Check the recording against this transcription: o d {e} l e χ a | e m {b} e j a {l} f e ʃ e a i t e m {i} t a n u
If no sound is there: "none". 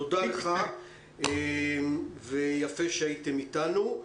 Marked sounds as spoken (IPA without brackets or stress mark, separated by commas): a, v, none, i